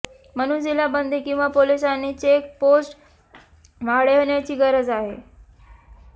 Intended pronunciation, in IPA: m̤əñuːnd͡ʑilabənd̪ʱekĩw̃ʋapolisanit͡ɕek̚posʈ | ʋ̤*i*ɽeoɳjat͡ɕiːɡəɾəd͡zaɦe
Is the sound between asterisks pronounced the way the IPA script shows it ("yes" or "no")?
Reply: no